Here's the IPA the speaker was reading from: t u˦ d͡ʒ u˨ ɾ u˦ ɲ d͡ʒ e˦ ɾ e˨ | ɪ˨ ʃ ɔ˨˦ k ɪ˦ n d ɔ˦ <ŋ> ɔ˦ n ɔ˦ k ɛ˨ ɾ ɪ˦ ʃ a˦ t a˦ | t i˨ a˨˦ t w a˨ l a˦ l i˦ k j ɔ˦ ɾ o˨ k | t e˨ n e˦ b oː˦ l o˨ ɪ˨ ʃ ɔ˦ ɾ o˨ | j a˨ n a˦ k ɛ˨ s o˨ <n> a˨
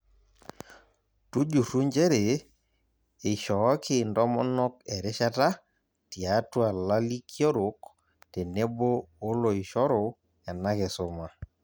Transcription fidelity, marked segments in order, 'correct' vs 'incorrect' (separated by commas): incorrect, incorrect